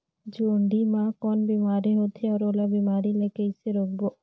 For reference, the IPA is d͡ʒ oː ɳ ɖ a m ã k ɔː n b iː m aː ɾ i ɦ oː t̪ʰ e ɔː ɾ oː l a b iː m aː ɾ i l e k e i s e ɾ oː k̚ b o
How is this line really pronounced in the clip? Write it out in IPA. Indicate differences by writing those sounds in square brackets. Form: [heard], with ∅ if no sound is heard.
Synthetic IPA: d͡ʒ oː ɳ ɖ [i] m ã k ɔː n b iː m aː ɾ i ɦ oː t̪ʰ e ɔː ɾ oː l a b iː m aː ɾ i l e k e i s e ɾ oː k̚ b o